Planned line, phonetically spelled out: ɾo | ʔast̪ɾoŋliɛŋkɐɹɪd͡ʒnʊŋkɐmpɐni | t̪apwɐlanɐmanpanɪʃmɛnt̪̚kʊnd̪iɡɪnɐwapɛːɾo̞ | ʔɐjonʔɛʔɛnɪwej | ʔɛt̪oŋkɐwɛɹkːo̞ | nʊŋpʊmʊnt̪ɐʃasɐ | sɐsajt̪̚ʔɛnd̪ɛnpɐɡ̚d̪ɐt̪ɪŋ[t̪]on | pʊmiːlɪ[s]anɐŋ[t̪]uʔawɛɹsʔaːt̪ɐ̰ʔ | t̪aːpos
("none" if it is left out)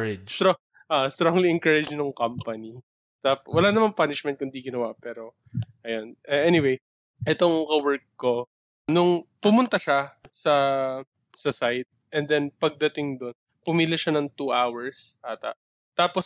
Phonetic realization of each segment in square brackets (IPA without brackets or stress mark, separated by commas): d̪, ʃ, t̪